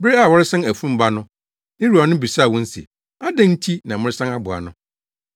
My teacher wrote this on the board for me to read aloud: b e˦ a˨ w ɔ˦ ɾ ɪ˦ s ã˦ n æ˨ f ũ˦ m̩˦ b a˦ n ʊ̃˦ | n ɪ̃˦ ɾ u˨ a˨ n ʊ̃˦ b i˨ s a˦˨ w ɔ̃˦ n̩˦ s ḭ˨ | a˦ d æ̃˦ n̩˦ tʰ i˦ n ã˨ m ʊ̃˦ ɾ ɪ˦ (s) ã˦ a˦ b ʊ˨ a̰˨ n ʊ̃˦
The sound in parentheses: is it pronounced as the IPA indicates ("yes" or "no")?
yes